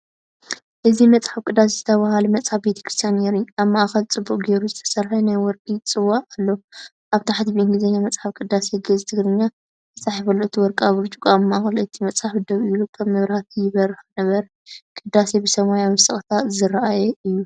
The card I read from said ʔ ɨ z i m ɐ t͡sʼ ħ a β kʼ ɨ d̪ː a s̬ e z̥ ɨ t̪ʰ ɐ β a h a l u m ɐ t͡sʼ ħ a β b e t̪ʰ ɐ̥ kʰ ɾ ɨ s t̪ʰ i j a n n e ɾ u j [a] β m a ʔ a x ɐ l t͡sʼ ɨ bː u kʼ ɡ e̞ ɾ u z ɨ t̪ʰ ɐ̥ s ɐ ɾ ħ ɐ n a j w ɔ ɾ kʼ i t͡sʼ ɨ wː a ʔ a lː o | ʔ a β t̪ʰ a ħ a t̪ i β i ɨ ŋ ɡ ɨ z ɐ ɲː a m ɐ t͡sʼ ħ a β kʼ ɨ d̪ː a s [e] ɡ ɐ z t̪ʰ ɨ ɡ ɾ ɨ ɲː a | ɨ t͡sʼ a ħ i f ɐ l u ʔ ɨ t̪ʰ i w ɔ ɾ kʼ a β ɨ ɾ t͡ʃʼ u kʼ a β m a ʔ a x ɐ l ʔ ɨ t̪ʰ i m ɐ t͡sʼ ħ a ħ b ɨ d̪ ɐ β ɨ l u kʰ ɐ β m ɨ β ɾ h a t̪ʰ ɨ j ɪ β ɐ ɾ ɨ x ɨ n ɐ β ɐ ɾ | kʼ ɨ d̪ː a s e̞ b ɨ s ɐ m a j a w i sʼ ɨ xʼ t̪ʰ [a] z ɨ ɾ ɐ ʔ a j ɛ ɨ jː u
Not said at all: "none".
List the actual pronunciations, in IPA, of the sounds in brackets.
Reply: a, e, a

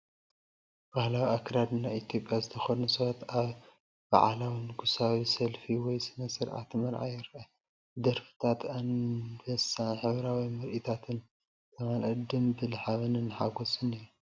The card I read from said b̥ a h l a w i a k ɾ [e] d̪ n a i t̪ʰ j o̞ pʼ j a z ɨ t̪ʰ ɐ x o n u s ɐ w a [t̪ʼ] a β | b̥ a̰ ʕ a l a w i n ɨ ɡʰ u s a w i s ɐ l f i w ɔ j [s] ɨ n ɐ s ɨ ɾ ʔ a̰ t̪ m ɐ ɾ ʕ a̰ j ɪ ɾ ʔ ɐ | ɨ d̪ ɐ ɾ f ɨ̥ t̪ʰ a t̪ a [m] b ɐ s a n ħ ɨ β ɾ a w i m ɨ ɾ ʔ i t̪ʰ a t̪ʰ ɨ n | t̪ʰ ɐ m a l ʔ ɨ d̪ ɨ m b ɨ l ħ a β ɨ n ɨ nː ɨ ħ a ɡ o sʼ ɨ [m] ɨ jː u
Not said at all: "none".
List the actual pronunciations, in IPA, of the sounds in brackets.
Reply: a, t̪, s, n, n

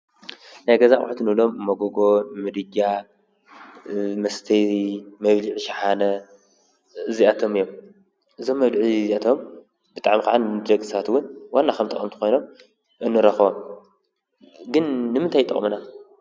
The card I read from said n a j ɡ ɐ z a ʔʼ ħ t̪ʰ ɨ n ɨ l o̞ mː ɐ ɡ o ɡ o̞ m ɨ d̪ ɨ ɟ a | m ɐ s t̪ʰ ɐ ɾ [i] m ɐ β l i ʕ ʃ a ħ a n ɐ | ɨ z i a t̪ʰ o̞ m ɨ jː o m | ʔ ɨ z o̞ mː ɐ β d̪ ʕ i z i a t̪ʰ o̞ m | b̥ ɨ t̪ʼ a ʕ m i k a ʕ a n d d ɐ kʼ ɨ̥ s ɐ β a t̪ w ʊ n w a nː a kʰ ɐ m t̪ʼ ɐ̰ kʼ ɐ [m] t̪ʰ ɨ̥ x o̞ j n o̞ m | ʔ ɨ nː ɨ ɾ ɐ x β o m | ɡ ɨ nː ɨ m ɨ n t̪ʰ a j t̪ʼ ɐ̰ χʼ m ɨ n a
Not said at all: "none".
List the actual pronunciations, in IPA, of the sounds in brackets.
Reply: i, m

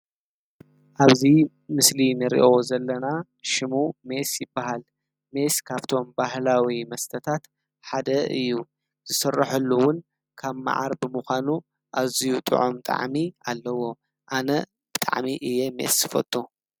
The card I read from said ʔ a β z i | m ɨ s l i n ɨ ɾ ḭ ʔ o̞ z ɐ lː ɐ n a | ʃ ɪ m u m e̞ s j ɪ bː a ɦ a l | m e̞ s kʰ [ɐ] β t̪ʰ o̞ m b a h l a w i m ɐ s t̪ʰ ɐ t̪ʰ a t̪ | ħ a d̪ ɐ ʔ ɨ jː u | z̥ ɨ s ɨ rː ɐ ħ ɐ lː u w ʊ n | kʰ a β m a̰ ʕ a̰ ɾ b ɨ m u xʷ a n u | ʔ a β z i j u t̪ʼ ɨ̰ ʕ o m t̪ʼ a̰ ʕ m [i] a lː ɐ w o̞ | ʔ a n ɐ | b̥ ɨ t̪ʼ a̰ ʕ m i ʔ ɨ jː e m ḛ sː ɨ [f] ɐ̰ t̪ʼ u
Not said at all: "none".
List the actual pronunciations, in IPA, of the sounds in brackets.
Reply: a, i, f

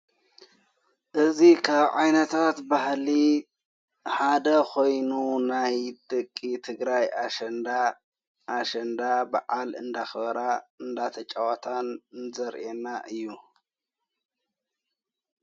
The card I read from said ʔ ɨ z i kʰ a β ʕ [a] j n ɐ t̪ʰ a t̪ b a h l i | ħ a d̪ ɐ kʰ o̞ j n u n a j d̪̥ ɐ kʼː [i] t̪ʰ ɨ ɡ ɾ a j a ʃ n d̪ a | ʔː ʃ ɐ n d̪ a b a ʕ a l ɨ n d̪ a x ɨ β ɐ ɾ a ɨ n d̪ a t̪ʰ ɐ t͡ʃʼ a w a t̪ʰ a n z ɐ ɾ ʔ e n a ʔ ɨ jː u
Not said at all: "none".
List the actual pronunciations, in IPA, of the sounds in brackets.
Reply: a, i

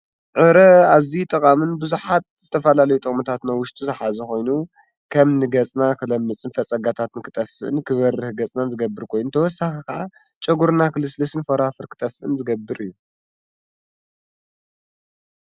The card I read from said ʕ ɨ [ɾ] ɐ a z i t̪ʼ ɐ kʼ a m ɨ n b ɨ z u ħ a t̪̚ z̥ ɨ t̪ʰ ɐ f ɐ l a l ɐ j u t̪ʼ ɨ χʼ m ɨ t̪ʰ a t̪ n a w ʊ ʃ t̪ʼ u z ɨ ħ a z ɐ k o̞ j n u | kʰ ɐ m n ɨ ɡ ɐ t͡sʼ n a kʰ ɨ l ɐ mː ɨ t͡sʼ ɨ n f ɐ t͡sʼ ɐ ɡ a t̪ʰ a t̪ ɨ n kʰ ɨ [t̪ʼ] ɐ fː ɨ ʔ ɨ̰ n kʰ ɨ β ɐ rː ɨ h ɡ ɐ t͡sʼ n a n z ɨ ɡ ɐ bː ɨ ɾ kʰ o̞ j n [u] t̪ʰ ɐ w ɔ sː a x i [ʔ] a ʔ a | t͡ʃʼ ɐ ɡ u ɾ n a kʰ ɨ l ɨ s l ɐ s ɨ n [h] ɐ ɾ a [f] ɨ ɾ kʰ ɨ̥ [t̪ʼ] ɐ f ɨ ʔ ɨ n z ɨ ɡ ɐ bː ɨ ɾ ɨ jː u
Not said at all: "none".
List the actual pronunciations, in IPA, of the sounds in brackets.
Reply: ɾ, t̪ʼ, u, k, f, f, t̪ʼ

